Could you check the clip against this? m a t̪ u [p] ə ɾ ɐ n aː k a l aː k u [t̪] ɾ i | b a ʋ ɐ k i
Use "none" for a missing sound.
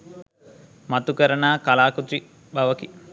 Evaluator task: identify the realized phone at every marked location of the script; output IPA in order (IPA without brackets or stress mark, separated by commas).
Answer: k, t̪